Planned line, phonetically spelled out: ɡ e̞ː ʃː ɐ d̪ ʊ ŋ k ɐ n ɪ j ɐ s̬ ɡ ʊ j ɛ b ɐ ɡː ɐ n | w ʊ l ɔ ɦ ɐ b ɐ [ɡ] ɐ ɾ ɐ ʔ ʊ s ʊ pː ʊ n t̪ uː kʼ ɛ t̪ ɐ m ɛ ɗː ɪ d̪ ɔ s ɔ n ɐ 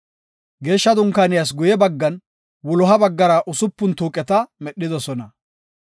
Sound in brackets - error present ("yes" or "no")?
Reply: yes